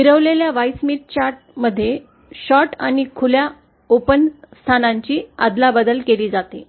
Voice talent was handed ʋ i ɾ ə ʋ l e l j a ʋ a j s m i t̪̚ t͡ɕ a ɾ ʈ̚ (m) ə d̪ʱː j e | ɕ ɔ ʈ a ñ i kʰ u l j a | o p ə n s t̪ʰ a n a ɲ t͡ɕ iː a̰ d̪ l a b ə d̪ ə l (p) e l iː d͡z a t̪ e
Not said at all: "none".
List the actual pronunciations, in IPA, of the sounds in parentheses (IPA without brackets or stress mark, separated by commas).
m, k